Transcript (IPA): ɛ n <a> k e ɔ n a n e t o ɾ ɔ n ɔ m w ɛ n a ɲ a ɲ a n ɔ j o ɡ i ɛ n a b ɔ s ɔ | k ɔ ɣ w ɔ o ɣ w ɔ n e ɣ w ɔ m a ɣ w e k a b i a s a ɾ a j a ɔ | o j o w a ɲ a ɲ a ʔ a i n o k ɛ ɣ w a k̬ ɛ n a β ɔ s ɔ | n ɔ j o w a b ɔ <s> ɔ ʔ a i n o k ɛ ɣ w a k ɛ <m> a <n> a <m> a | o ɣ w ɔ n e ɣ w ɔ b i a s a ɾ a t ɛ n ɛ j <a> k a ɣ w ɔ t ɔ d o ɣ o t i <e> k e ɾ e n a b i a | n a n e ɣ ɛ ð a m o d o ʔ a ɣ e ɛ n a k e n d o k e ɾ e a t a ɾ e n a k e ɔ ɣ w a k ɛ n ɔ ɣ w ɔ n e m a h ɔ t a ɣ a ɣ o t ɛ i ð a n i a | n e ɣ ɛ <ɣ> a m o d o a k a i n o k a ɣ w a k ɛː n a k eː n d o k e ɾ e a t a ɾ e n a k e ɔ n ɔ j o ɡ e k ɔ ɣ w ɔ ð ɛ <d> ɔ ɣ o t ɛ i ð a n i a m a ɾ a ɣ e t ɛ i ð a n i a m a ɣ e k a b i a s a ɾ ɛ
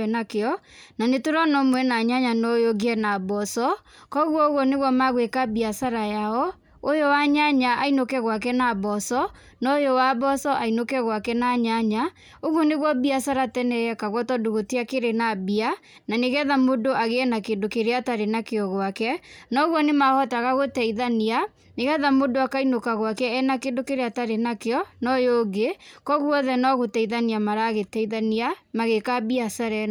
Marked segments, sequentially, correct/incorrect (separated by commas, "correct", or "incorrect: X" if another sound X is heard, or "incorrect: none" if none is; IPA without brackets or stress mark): correct, correct, incorrect: n, incorrect: ɲ, incorrect: ɲ, incorrect: ɛ, incorrect: a, incorrect: ð, incorrect: n